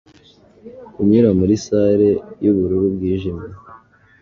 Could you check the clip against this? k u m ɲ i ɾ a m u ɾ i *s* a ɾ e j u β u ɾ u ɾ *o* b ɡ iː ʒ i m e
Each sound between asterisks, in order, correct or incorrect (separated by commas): correct, incorrect